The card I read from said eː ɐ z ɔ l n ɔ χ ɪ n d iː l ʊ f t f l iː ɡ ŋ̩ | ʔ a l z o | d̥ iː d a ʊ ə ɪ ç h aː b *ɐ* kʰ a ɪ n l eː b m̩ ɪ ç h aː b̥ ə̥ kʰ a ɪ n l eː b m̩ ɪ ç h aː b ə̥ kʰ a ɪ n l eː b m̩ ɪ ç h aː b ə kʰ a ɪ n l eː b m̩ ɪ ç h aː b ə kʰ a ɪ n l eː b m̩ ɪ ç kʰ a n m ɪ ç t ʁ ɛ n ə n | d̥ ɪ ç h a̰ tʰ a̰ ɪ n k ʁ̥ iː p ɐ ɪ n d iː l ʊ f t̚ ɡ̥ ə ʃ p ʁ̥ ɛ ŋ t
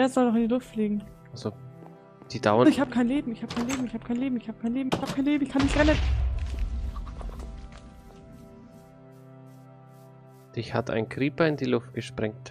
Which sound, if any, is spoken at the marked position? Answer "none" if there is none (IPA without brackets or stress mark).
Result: ə